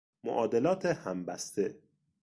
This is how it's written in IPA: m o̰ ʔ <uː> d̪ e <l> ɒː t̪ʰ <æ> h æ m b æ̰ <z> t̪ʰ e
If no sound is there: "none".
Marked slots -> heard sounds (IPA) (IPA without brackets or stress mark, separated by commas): ɒː, l, e, s